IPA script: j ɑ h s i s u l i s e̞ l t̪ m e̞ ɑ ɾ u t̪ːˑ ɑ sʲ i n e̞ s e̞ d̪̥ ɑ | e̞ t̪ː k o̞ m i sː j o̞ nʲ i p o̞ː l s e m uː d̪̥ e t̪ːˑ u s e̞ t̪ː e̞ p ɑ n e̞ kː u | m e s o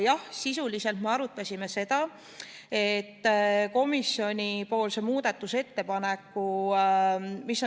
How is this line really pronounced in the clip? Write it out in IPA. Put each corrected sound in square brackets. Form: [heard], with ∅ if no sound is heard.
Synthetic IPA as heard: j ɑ h s i s u l i s e̞ l t̪ m e̞ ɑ ɾ u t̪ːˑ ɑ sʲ i [m] e̞ s e̞ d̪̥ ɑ | e̞ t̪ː k o̞ m i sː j o̞ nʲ i p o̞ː l s e m uː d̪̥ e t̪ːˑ u s e̞ t̪ː e̞ p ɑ n e̞ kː u | m [i] s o